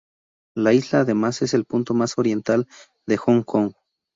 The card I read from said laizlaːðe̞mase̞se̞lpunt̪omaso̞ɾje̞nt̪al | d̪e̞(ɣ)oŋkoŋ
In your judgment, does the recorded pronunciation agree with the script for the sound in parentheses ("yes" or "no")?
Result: no